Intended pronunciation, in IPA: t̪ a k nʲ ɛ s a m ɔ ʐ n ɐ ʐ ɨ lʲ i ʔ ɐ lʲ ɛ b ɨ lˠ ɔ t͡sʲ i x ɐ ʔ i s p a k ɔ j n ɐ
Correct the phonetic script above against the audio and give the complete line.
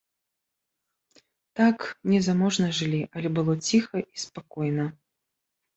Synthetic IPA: t̪ a k nʲ ɛ z a m ɔ ʐ n ɐ ʐ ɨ lʲ i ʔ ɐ lʲ ɛ b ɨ lˠ ɔ t͡sʲ i x ɐ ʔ i s p a k ɔ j n ɐ